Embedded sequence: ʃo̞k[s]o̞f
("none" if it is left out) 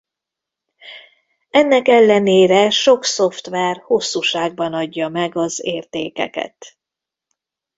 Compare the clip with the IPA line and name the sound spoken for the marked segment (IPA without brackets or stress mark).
s